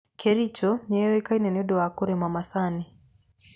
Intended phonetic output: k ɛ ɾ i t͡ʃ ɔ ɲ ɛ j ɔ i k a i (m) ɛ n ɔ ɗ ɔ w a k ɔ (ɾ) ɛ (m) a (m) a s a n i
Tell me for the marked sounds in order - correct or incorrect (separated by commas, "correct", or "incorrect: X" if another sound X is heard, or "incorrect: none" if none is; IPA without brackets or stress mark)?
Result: incorrect: n, correct, correct, correct